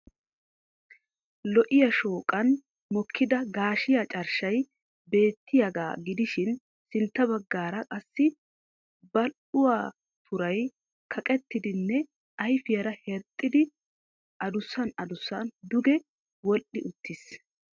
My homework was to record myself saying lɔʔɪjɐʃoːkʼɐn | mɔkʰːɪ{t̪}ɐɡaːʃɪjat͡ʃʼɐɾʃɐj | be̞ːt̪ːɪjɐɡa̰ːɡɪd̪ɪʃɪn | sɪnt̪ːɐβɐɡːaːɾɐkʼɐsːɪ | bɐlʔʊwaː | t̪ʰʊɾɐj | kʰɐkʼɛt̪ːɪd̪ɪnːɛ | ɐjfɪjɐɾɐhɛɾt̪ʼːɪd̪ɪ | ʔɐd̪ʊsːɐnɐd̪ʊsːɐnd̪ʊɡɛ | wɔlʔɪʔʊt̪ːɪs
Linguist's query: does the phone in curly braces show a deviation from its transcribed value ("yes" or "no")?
yes